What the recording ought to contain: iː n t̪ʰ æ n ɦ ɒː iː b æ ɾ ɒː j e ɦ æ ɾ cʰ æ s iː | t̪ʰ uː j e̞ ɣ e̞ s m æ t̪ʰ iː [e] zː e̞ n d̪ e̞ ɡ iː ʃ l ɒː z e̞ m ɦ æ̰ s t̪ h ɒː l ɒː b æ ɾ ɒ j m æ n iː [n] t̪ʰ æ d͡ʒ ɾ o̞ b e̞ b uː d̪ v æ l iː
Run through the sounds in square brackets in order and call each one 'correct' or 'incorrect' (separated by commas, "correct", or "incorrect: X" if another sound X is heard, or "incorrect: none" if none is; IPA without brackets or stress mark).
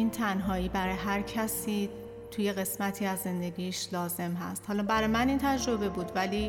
incorrect: æ, correct